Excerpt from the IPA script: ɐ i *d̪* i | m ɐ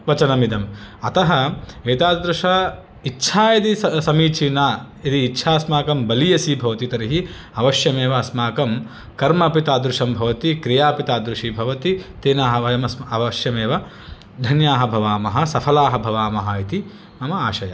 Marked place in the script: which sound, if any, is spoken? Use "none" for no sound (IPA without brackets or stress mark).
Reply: t̪